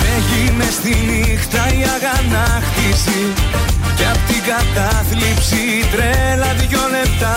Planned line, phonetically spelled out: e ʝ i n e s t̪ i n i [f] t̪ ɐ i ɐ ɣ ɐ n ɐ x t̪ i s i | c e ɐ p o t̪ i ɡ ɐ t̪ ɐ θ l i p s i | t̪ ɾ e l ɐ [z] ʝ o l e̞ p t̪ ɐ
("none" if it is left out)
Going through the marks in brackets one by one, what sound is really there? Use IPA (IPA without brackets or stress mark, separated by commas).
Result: x, ð